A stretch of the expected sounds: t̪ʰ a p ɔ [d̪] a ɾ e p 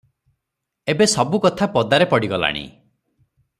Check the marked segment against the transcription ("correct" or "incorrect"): correct